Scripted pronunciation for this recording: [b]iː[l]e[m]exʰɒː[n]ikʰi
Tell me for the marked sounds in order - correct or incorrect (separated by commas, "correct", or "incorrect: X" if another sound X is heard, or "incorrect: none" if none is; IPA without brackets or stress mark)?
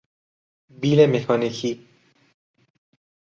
correct, correct, correct, correct